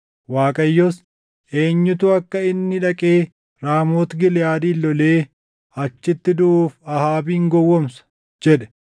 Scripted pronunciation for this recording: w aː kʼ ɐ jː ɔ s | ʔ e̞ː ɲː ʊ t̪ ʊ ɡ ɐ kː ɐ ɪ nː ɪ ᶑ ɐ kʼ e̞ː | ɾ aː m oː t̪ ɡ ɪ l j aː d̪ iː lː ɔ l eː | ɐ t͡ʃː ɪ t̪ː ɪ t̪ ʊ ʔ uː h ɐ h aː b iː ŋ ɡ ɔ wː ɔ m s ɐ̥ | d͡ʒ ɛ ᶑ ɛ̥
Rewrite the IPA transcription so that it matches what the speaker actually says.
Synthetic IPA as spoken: w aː kʼ ɐ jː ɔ s | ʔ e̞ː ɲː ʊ t̪ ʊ ɐ kː ɐ ɪ nː ɪ ᶑ ɐ kʼ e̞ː | ɾ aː m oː t̪ ɡ ɪ l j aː d̪ iː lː ɔ l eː | ɐ t͡ʃː ɪ t̪ː ɪ d̪ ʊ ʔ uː f ɐ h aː b iː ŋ ɡ ɔ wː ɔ m s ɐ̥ | d͡ʒ ɛ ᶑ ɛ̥